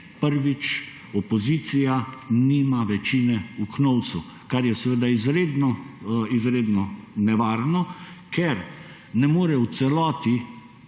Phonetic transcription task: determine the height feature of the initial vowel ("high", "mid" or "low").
mid